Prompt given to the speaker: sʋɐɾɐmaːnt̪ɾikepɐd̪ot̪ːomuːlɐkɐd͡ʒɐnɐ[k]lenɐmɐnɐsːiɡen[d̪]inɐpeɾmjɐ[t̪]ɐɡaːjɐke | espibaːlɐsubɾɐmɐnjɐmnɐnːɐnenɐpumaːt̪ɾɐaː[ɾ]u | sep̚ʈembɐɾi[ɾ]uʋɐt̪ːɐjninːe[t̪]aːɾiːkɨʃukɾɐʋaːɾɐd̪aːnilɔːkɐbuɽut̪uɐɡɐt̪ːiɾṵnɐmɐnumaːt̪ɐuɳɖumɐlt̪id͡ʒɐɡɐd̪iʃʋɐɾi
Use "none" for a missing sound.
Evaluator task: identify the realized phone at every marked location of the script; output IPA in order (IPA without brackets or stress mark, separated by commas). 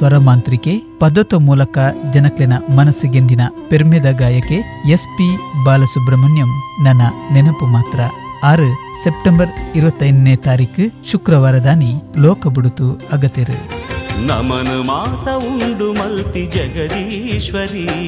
k, d̪, d̪, ɾ, ɾ, t̪